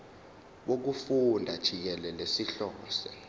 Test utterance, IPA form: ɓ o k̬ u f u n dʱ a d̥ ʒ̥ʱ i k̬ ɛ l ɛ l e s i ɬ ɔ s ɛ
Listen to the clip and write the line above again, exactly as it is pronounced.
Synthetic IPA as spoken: ɓ o k̬ u f u n dʱ a d̥ ʒ̥ʱ i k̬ ɛ l ɛ l e s i ɬ ɔː s ɛ